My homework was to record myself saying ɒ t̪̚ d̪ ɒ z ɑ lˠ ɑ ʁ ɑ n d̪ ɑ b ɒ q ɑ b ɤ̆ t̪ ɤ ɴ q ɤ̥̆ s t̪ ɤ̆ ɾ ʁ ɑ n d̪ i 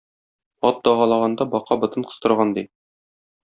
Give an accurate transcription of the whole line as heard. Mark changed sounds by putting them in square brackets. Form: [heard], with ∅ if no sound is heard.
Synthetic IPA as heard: ɒ t̪̚ d̪ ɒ [ʁ] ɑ lˠ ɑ ʁ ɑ n d̪ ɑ b ɒ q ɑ b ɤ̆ t̪ ɤ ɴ q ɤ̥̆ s t̪ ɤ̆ ɾ ʁ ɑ n d̪ i